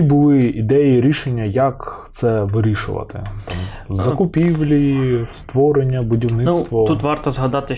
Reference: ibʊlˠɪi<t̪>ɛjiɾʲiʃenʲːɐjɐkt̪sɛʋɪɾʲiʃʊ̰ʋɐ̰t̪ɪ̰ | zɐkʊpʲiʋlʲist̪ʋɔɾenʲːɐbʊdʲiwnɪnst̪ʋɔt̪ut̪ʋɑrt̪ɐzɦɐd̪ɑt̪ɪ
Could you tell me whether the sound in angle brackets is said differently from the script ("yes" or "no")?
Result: yes